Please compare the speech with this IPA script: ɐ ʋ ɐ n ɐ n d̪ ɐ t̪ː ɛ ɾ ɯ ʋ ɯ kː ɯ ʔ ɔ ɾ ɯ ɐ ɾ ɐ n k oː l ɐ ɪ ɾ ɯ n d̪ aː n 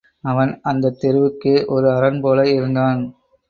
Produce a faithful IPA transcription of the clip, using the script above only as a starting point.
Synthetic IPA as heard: ɐ ʋ ɐ n ɐ n d̪ ɐ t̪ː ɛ ɾ ɯ ʋ ɯ kː ɯ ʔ ɔ ɾ ɯ ɐ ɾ ɐ n p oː l ɐ ɪ ɾ ɯ n d̪ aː n